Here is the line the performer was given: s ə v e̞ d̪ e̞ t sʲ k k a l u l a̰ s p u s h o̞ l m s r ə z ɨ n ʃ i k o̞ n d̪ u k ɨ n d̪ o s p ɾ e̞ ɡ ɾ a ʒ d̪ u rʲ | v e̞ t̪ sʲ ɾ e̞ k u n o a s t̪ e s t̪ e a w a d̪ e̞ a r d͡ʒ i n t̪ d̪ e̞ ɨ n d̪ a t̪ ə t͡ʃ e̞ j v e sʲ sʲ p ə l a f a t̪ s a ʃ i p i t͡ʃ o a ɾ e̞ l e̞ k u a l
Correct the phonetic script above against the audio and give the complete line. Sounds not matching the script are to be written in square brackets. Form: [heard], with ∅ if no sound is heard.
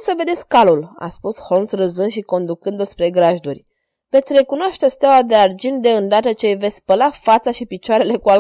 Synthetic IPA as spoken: s ə v e̞ d̪ e̞ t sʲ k k a l u l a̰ s p u s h o̞ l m s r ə z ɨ n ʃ i k o̞ n d̪ u k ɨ n d̪ o s p ɾ e̞ ɡ ɾ a ʒ d̪ u rʲ | v e̞ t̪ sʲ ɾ e̞ k u n o a [ʃ] t̪ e s t̪ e a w a d̪ e̞ a r d͡ʒ i n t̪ d̪ e̞ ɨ n d̪ a t̪ ə t͡ʃ e̞ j v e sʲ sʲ p ə l a f a t̪ s a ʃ i p i t͡ʃ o a ɾ e̞ l e̞ k u a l